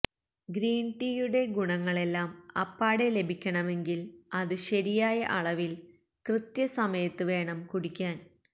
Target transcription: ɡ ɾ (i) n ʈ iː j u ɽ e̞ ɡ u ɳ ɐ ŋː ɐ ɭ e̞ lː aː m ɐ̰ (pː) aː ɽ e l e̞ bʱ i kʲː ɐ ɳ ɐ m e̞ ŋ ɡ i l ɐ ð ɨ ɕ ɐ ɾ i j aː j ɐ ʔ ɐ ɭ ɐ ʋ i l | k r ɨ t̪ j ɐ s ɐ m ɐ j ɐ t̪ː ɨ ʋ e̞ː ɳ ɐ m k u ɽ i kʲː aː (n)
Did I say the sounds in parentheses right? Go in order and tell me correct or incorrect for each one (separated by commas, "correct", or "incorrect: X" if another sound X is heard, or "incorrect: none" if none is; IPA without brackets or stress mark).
incorrect: iː, correct, correct